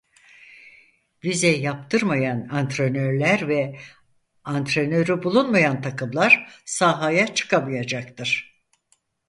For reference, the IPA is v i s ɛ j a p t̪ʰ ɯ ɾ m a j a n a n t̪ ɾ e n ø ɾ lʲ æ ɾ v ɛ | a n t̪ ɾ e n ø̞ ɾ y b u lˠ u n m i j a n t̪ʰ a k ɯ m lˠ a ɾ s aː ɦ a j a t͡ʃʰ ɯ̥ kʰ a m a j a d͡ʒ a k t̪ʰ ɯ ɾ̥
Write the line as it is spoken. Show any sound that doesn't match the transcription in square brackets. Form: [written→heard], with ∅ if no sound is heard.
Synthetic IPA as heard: v i [s→z] ɛ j a p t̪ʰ ɯ ɾ m a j a n a n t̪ ɾ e n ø ɾ lʲ æ ɾ v ɛ | a n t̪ ɾ e n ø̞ ɾ y b u lˠ u n m [i→a] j a n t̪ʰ a k ɯ m lˠ a ɾ s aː ɦ a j a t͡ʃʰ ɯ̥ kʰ a m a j a d͡ʒ a k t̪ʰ ɯ ɾ̥